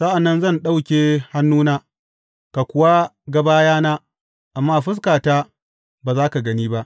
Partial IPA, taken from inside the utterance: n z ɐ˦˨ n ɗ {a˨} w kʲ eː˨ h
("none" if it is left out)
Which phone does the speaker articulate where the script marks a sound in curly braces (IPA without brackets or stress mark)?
a˦